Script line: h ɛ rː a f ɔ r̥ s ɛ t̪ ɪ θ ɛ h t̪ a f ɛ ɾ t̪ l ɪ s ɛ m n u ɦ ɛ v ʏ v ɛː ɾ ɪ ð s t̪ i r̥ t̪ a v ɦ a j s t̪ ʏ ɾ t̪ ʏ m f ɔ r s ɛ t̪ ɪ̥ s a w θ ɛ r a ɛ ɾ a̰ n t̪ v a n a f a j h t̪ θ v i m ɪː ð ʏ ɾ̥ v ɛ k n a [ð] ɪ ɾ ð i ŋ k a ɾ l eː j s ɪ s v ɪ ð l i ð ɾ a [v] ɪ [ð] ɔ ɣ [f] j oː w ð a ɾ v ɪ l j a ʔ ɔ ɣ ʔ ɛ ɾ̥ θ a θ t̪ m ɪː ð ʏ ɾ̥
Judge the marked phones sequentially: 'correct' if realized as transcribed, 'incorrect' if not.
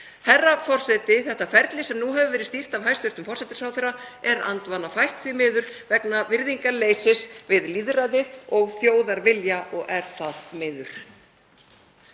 incorrect, incorrect, correct, incorrect

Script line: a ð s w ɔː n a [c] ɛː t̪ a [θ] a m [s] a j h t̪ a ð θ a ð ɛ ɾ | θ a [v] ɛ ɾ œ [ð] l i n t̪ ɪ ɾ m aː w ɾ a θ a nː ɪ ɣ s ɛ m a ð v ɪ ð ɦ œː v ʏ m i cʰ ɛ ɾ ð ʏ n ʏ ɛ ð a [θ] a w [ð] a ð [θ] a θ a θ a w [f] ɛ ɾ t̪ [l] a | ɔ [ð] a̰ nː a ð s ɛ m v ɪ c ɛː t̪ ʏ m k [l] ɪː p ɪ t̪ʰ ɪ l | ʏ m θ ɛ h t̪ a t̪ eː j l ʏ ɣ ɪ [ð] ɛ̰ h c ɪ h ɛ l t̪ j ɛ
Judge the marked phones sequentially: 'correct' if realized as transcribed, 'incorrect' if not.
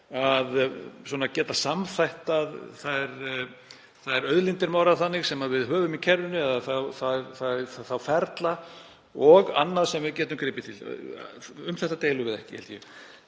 correct, incorrect, incorrect, incorrect, correct, correct, incorrect, correct, correct, correct, incorrect, incorrect, correct

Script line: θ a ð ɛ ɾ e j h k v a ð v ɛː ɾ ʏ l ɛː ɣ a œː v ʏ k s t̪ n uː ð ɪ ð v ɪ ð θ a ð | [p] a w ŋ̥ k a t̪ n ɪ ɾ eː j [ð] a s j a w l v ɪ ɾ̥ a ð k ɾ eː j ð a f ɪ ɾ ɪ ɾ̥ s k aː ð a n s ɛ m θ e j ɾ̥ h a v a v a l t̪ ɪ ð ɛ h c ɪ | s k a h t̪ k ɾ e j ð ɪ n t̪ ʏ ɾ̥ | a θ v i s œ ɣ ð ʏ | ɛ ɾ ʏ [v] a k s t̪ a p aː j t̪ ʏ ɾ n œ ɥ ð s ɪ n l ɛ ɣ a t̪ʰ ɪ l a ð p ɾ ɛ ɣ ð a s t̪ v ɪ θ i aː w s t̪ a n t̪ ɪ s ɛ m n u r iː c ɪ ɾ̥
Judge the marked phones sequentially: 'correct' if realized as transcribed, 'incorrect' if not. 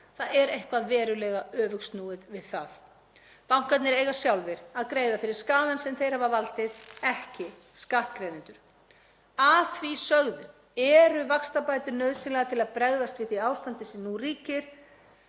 correct, incorrect, correct

